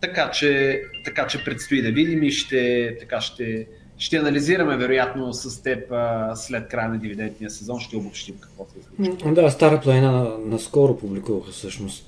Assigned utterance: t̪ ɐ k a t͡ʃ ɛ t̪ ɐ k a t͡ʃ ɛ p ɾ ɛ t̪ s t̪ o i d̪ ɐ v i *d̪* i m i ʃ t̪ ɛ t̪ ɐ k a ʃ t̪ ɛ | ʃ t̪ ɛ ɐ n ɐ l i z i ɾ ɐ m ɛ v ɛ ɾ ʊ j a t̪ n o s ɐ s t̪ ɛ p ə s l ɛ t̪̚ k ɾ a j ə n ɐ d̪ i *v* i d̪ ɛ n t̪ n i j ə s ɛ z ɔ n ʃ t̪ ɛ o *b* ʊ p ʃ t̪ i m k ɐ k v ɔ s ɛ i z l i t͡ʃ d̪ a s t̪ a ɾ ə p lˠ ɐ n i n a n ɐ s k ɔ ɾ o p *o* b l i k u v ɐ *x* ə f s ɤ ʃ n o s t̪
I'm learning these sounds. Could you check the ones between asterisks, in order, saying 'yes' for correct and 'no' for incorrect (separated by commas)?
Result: yes, yes, yes, no, yes